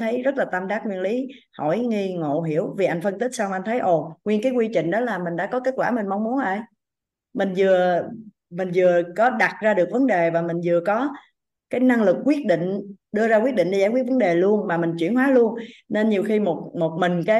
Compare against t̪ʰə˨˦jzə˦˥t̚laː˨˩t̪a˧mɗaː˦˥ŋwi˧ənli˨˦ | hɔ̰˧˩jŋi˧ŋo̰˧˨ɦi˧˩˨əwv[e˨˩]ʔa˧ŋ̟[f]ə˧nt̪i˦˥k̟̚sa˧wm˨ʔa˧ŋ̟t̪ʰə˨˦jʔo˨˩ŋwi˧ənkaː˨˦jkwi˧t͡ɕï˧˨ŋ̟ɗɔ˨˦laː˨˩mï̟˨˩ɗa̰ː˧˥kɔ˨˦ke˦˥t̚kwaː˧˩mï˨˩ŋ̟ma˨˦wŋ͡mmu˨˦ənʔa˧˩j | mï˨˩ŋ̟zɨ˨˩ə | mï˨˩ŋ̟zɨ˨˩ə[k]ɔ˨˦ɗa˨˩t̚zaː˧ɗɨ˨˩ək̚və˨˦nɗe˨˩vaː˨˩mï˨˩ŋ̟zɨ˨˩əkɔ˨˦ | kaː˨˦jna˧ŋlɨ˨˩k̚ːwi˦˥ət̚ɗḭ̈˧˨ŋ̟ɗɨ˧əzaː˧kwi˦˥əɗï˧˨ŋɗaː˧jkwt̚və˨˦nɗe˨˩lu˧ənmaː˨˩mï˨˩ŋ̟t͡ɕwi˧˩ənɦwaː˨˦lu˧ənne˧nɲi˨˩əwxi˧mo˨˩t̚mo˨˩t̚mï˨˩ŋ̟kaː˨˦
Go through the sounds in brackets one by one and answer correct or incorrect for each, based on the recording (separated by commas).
incorrect, correct, correct